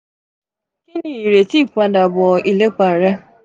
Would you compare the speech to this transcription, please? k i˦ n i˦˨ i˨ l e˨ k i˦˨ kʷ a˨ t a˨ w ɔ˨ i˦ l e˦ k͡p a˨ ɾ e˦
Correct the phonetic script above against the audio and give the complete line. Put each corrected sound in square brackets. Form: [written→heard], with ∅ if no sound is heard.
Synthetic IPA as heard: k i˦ n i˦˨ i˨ [l→ɾ] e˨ [k→t] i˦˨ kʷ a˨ [t→d] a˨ [w→b] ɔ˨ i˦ l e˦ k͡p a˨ ɾ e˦